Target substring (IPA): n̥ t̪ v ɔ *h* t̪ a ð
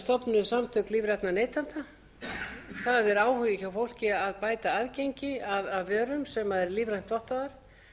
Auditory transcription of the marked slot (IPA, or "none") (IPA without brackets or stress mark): h